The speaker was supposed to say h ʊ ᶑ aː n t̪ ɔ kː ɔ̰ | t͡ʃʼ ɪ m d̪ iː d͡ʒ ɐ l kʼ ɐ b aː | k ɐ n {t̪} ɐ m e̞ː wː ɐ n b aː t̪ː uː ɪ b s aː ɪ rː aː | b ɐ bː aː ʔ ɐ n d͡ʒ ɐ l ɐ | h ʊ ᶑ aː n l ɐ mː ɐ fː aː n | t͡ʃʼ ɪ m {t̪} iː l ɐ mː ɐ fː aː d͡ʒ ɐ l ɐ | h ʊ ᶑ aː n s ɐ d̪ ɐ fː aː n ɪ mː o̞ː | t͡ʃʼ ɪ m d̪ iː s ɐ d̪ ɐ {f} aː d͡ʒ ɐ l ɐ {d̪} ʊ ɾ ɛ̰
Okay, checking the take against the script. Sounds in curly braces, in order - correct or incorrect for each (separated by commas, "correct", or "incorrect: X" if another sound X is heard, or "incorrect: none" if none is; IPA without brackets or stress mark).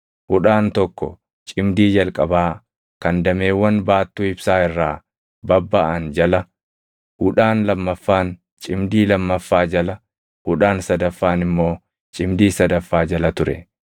incorrect: d̪, incorrect: d̪, incorrect: fː, incorrect: t̪